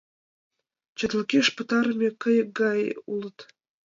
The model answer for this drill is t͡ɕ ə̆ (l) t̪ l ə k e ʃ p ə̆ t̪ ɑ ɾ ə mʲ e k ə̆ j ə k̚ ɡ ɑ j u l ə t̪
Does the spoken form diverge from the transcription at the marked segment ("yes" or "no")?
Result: yes